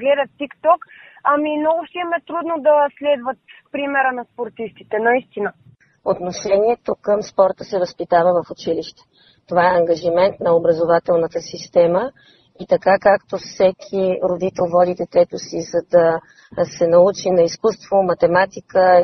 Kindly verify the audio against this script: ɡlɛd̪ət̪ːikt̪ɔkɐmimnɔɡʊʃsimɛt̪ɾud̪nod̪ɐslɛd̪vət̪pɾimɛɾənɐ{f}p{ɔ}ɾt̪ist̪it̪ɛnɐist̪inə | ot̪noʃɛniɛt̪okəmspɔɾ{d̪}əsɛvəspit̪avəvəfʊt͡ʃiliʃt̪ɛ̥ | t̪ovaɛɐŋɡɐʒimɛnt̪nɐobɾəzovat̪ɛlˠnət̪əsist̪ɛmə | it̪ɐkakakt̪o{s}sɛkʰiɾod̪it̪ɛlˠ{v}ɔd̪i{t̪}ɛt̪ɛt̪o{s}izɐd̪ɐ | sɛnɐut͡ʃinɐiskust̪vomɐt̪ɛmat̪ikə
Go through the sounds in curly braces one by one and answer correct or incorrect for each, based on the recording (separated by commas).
incorrect, incorrect, incorrect, incorrect, correct, incorrect, correct